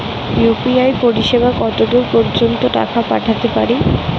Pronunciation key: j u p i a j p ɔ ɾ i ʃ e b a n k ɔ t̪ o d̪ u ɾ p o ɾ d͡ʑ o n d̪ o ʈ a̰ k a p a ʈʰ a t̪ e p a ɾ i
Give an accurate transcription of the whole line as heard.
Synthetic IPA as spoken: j u p i a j p o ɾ i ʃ e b a k ɔ t̪ o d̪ u ɾ p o ɾ d͡ʑ o n t̪ o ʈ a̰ k a p a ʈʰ a t̪ e p a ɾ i

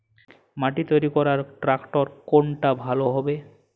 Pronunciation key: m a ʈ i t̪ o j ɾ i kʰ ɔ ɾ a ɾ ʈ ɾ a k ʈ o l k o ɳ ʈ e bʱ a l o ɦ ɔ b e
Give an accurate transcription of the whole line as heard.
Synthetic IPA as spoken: m a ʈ i t̪ o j ɾ i k ɔ ɾ a ɾ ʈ ɾ a k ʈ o ɾ k o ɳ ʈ a bʱ a l o ɦ ɔ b e

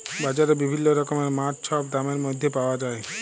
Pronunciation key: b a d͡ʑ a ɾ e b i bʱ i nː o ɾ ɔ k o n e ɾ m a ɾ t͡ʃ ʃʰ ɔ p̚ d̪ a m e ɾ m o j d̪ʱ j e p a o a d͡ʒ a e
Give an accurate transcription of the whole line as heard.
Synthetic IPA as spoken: b a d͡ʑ a ɾ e b i bʱ i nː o ɾ ɔ k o m e ɾ m a ɾ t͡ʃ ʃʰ ɔ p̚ d̪ a m e ɾ m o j d̪ʱ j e p a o a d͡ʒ a e

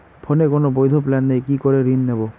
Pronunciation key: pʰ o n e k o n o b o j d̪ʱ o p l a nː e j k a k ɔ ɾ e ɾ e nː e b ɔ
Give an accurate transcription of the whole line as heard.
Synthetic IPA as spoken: pʰ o n e k o n o b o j d̪ʱ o p l a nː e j k i k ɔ ɾ e ɾ i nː e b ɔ

